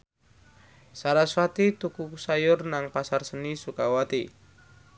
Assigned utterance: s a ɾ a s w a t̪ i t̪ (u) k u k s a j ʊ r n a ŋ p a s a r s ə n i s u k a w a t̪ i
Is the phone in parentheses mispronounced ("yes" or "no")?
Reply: no